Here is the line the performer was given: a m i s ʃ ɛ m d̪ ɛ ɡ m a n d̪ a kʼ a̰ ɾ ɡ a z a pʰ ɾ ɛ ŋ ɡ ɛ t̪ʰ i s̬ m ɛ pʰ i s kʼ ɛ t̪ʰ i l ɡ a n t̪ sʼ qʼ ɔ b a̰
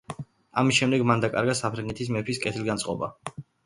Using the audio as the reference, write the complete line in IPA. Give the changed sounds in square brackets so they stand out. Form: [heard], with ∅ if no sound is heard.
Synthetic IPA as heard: a m i s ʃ ɛ m d̪ ɛ ɡ m a n d̪ a kʼ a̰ ɾ ɡ a [s] a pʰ ɾ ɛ ŋ ɡ ɛ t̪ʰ i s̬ m ɛ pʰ i s kʼ ɛ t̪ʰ i l ɡ a n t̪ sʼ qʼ ɔ b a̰